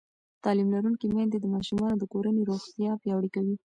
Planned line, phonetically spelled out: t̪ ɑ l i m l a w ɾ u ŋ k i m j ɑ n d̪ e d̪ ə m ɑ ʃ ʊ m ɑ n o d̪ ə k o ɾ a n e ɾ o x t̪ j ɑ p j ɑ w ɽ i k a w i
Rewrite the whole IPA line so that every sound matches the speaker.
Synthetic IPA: t̪ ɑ l i m l a ɾ u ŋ k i m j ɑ n d̪ e d̪ ə m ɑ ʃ u m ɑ n o d̪ ə k o ɾ a n e ɾ o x t̪ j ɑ p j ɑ w ɽ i k a w i